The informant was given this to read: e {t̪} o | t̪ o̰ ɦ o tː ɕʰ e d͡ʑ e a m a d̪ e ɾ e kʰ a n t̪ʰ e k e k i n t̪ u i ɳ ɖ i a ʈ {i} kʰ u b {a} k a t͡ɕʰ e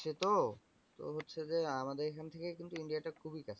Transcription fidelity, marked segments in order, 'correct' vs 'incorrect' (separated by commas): correct, incorrect, incorrect